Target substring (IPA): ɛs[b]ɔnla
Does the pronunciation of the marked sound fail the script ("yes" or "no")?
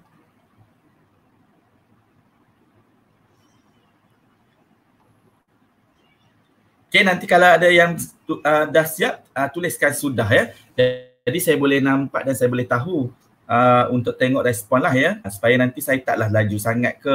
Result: yes